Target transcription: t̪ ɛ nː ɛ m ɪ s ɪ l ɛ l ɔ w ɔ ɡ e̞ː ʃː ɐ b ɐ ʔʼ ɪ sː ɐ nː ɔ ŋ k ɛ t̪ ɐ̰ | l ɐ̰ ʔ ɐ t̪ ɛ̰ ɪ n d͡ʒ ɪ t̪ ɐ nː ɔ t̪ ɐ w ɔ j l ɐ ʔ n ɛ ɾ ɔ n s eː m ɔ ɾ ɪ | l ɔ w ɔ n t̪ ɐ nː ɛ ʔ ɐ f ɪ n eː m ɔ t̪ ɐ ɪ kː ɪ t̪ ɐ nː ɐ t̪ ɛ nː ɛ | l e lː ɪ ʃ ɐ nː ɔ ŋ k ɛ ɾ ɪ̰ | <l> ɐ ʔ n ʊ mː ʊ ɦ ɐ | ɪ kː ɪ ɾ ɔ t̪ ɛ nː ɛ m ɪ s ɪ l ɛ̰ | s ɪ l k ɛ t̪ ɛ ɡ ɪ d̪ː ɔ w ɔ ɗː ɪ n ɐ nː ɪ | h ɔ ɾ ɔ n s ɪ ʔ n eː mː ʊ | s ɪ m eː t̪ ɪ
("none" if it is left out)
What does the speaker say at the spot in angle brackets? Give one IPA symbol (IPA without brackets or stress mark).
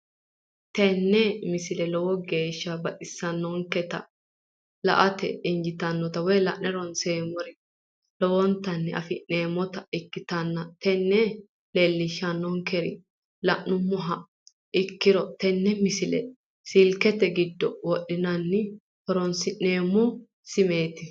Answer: l